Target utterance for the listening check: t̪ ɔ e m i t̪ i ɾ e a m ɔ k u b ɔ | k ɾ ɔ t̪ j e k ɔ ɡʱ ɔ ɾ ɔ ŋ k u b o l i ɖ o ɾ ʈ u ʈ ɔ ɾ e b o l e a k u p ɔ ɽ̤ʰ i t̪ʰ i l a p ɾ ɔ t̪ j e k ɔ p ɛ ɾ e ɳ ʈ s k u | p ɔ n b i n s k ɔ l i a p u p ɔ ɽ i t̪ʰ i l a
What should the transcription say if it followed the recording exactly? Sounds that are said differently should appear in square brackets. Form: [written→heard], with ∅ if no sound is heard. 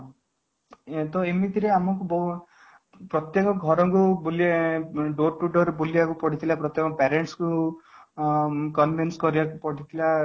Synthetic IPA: t̪ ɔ e m i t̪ i ɾ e a m ɔ k u b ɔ | [k→p] ɾ ɔ t̪ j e k ɔ ɡʱ ɔ ɾ ɔ ŋ k u b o l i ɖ o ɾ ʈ u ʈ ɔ ɾ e b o l [e→i] a k u p ɔ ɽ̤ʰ i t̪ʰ i l a p ɾ ɔ t̪ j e k ɔ p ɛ ɾ e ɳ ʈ s k u | [p→k] ɔ n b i n s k ɔ [l→ɾ] i a [p→k] u p ɔ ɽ i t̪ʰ i l a